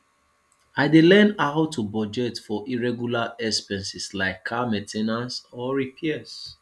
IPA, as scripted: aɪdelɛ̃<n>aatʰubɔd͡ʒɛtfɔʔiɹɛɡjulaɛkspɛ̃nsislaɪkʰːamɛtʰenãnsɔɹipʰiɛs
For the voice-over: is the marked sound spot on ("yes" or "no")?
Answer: yes